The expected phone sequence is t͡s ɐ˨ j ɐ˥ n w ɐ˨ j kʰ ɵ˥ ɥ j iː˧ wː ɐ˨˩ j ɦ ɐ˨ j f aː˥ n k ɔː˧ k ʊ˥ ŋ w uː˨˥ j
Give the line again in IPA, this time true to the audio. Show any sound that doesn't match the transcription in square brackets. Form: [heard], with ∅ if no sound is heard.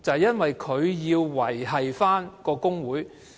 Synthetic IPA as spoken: t͡s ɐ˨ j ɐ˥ n w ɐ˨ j kʰ [ɵ˨˧] ɥ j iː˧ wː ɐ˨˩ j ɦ ɐ˨ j f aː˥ n k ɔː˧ k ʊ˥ ŋ w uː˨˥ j